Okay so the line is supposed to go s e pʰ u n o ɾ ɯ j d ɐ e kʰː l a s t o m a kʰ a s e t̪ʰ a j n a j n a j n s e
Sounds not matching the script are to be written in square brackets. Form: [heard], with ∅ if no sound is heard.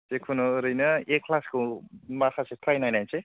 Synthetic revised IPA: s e [kʰ] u n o ɾ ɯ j [n] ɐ e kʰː l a s [k] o m a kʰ a s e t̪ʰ a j n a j n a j n s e

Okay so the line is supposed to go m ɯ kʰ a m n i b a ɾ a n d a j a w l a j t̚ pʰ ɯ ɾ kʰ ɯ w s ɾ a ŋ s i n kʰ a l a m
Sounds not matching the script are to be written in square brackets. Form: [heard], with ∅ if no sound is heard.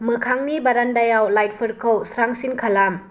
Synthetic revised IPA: m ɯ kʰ a [ŋ] n i b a ɾ a n d a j a w l a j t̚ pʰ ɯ ɾ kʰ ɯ w s ɾ a ŋ s i n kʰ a l a m

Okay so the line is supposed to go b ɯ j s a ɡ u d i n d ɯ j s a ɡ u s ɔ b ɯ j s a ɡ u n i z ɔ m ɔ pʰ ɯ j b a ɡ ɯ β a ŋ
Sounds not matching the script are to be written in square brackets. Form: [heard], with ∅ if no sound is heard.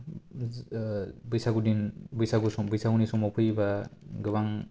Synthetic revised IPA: b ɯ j s a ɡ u d i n [b] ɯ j s a ɡ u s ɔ b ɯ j s a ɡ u n i [s] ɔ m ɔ pʰ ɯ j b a ɡ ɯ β a ŋ

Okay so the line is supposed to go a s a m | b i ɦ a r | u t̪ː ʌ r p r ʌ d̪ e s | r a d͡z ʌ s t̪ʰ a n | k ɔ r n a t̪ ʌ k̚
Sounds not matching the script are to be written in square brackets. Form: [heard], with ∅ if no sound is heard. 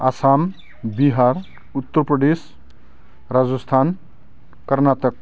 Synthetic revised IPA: a s a m | b i ɦ a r | u t̪ː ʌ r p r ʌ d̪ e s | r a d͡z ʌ s t̪ʰ a n | k [ʌ] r n a t̪ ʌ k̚

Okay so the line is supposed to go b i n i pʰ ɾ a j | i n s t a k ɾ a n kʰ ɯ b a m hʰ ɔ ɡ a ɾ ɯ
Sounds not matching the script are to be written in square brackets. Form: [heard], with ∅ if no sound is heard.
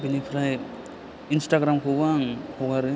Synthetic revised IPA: b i n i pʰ ɾ a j | i n s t a [ɡ] ɾ a [m] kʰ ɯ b a [ŋ] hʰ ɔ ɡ a ɾ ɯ

